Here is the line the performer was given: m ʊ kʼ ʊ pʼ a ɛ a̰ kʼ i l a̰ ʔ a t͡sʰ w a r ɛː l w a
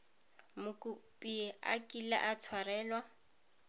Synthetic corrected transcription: m ʊ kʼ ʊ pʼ i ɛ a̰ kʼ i l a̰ ʔ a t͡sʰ w a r ɛː l w a